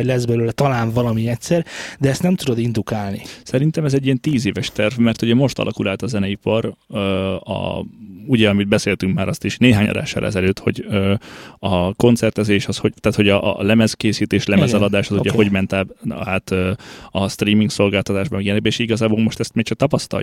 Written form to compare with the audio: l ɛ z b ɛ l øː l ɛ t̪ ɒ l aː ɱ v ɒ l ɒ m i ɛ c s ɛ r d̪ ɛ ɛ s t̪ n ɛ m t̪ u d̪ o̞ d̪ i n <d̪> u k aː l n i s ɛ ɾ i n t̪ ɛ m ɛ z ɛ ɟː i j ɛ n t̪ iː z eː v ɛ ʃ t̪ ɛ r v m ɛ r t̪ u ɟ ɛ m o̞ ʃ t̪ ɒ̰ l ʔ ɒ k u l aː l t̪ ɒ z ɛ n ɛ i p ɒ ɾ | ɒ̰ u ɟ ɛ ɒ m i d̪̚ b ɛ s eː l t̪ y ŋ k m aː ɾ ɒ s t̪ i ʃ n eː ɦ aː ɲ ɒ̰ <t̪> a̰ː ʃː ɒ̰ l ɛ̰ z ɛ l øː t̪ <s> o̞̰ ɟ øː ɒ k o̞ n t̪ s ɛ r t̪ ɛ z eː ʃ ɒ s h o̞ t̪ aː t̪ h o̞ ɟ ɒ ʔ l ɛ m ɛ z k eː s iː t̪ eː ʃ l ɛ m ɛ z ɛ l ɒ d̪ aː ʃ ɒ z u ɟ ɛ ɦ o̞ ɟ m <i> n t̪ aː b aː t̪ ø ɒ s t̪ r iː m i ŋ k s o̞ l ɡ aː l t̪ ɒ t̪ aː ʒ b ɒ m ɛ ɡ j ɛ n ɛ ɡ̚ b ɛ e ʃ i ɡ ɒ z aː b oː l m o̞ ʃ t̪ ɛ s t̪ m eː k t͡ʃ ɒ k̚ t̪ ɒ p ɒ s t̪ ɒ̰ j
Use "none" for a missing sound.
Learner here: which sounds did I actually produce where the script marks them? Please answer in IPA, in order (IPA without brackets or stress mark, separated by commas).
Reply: d̪, d̪, h, ɛ